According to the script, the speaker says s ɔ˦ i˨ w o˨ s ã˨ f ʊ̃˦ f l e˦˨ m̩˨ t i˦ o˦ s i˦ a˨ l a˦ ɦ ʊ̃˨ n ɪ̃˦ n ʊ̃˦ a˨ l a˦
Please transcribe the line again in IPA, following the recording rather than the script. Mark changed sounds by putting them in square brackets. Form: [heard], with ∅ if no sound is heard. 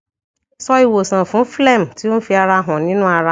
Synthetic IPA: s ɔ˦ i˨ w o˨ s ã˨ f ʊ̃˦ f l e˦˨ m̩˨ t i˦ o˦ [f] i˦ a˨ [ɾ] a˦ ɦ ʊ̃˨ n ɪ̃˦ n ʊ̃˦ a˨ [ɾ] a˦